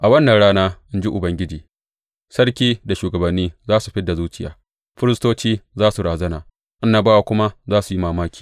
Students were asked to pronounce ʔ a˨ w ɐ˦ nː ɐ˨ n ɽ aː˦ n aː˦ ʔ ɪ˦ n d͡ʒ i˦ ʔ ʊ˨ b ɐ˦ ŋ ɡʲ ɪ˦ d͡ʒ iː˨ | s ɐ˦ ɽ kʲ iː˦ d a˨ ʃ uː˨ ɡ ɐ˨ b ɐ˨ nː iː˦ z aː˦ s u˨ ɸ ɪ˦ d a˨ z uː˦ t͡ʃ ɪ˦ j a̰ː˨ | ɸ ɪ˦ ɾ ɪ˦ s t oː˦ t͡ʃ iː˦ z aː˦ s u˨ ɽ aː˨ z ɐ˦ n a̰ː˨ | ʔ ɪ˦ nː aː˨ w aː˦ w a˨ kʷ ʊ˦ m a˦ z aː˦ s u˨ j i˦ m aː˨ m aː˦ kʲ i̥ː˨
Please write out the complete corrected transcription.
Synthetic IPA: ʔ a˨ w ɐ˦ nː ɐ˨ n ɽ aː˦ n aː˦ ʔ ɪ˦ n d͡ʒ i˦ ʔ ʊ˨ b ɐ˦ ŋ ɡʲ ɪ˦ d͡ʒ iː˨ | s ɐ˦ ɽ kʲ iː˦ d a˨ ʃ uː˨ ɡ ɐ˨ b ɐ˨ nː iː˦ z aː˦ s u˨ ɸ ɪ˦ d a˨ z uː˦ t͡ʃ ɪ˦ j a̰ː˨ | ɸ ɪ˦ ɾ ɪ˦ s t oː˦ t͡ʃ iː˦ z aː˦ s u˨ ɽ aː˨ z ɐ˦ n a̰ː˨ | ʔ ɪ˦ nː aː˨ b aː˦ w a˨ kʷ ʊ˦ m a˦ z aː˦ s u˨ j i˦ m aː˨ m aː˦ kʲ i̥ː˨